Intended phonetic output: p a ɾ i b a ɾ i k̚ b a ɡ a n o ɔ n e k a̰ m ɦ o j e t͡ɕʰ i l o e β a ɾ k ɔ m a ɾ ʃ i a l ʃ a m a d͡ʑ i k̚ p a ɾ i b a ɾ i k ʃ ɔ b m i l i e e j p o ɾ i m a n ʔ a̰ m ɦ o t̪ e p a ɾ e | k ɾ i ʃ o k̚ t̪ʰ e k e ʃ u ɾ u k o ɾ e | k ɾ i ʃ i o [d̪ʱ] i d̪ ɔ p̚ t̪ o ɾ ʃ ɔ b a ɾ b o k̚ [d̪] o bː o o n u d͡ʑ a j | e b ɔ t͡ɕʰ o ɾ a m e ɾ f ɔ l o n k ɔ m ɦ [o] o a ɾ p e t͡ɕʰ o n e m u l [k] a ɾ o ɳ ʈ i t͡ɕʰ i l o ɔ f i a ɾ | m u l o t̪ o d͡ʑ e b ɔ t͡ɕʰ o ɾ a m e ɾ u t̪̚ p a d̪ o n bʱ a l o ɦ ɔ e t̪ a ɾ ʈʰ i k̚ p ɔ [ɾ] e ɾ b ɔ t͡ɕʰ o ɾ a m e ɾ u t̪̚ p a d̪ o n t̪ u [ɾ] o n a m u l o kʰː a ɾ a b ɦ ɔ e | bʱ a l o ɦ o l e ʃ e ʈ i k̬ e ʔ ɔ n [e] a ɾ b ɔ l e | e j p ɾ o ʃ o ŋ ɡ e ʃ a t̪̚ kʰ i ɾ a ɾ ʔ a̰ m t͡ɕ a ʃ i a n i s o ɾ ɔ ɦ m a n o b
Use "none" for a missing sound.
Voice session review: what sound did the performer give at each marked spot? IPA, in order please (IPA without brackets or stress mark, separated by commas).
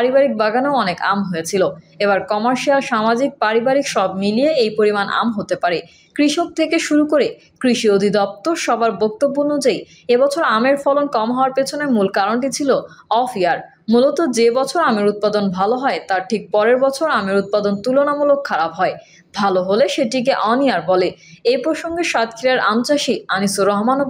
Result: d̪ʱ, t̪, ɔ, k, ɾ, l, i